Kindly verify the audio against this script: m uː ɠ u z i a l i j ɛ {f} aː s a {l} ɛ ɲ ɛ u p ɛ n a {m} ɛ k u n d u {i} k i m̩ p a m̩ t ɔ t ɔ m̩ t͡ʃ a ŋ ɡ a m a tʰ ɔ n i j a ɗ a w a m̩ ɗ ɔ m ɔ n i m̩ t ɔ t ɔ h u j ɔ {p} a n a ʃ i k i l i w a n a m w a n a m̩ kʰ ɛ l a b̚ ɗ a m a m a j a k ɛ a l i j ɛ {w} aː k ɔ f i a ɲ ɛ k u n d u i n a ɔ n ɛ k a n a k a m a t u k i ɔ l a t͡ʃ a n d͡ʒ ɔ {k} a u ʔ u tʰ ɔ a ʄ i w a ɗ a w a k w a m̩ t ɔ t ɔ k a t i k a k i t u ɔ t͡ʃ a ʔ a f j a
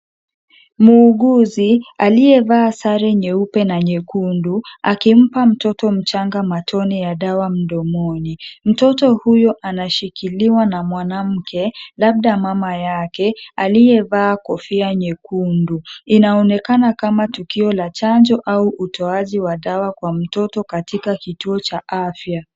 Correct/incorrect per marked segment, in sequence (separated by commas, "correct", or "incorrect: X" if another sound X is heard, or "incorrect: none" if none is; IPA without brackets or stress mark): incorrect: v, incorrect: ɾ, incorrect: ɲ, incorrect: a, incorrect: ʔ, incorrect: v, incorrect: ʔ